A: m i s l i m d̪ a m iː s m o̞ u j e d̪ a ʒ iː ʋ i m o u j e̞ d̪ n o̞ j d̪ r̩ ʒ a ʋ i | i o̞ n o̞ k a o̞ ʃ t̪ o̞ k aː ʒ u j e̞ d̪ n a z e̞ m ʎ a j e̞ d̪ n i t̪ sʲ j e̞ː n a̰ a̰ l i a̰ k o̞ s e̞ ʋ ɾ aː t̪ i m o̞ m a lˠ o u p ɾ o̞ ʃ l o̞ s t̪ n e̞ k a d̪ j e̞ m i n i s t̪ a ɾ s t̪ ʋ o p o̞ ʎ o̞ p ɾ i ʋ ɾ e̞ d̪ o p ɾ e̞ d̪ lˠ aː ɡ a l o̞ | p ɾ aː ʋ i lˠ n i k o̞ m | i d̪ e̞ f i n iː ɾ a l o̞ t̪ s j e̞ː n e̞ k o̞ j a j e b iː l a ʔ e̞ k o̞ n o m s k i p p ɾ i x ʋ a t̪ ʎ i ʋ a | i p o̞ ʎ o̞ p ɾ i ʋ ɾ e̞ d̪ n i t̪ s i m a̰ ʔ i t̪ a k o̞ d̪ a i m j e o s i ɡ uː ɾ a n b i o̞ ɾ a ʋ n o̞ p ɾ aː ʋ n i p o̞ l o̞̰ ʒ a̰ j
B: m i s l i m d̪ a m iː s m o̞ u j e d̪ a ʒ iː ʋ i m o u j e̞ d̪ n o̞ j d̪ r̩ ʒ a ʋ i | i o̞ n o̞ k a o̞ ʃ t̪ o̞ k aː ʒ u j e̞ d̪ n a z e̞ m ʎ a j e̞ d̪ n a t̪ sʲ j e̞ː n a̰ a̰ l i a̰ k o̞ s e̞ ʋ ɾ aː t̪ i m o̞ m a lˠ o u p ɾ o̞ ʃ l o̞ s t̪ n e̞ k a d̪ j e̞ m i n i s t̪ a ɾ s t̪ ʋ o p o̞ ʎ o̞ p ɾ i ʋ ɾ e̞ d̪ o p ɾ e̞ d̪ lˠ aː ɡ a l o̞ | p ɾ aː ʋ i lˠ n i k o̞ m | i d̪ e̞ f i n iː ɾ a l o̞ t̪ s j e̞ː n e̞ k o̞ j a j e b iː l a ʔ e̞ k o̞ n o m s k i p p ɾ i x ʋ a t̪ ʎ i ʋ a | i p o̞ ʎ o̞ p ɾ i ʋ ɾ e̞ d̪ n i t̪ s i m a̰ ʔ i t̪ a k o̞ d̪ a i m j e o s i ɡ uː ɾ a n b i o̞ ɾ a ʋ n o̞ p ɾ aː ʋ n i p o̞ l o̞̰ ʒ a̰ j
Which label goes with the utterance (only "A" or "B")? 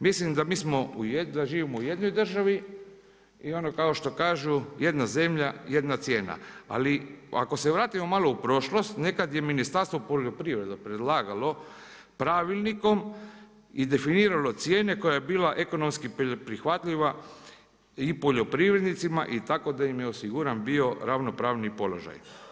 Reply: B